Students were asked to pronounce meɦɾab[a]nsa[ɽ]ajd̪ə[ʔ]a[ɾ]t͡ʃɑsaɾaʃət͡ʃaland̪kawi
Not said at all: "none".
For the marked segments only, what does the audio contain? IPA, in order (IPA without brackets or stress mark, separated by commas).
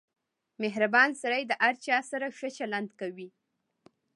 ɑ, ɾ, ʔ, ɾ